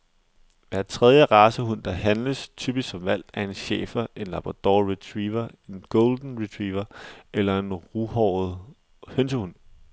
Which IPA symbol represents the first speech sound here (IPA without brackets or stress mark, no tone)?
ʋ